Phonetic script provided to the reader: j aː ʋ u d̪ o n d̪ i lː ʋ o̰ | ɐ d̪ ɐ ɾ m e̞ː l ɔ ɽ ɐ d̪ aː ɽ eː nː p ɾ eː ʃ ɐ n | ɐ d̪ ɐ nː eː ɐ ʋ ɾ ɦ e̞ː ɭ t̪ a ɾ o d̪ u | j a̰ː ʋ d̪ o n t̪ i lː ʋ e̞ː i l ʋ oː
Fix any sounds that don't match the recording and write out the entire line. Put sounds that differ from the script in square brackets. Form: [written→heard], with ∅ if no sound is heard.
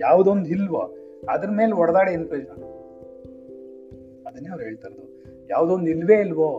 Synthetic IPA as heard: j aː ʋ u d̪ o n d̪ i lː ʋ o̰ | ɐ d̪ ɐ ɾ m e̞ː l ɔ ɽ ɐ d̪ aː ɽ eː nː p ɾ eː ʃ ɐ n | ɐ d̪ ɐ nː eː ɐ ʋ ɾ ɦ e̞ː ɭ t̪ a ɾ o d̪ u | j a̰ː ʋ d̪ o n [t̪→d̪] i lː ʋ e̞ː i l ʋ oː